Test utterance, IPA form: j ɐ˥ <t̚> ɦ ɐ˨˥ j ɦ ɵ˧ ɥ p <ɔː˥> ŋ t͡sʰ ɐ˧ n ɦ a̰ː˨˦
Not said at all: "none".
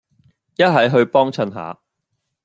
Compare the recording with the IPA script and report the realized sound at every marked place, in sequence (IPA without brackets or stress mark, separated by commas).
t̚, ɔː˥